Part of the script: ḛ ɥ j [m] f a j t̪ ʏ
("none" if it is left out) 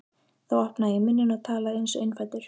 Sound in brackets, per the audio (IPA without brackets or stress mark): n